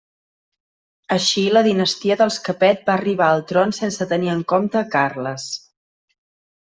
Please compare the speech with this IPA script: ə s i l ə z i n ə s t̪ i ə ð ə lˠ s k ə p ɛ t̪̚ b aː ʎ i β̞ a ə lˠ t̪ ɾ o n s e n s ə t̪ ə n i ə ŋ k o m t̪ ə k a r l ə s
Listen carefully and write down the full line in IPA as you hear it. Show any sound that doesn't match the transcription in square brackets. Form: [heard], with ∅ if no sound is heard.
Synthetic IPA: ə [ʃ] i l ə [ð] i n ə s t̪ i ə ð ə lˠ s k ə p ɛ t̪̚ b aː [r] i β̞ a ə lˠ t̪ ɾ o n s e n s ə t̪ ə n i ə ŋ k o m t̪ ə k a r l ə s